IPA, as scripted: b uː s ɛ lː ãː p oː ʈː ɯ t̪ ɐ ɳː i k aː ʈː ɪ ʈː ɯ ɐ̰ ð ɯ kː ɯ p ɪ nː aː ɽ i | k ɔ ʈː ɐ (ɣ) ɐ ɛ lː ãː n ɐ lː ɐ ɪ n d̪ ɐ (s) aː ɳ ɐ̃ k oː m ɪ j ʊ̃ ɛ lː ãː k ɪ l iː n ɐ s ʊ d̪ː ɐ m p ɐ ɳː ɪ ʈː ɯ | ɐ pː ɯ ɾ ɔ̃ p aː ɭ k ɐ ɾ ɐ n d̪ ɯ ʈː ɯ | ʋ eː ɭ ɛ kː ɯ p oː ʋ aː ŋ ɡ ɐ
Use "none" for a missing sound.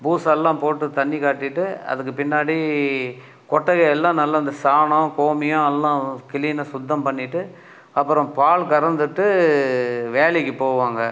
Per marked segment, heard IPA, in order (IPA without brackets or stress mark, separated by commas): ɣ, s